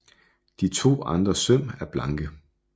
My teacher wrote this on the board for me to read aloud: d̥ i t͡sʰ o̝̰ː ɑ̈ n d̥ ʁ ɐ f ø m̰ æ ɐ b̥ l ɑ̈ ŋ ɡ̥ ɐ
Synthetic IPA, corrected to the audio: d̥ i t͡sʰ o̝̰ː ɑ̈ n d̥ ʁ ɐ s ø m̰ æ ɐ b̥ l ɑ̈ ŋ ɡ̥ ə